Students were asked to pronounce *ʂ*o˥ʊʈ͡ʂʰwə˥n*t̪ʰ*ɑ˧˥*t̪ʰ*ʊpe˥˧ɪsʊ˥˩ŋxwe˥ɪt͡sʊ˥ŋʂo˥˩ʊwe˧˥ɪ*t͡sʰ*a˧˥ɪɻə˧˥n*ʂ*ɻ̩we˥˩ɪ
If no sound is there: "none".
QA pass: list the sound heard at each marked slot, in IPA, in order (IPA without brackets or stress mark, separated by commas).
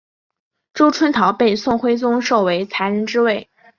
ʈ͡ʂ, t̪ʰ, none, t͡sʰ, ʈ͡ʂ